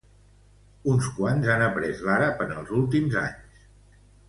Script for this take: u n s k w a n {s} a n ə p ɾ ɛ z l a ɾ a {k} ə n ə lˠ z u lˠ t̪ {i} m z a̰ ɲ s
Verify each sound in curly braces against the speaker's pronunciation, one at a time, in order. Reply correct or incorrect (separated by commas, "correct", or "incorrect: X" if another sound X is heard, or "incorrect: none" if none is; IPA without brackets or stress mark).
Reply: incorrect: z, incorrect: p, correct